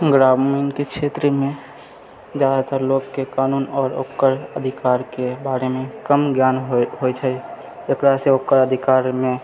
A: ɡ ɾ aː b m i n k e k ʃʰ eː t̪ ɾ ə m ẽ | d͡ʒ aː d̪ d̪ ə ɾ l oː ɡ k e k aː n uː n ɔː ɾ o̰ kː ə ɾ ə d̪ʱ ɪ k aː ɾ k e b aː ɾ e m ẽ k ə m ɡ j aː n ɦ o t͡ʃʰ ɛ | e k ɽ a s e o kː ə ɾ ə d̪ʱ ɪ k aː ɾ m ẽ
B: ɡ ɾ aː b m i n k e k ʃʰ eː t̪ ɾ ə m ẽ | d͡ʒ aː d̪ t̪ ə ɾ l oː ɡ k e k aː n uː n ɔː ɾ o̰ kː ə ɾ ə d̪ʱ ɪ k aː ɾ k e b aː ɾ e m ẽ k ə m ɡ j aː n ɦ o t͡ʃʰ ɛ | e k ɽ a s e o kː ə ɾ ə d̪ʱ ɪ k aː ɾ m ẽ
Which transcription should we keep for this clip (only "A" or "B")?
B